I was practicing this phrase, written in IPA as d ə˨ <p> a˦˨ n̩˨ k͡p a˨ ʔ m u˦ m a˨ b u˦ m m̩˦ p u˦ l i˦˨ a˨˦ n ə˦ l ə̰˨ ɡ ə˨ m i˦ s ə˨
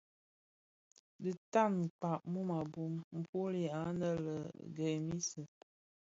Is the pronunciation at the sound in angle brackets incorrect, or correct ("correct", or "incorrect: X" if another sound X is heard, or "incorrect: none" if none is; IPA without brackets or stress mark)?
incorrect: t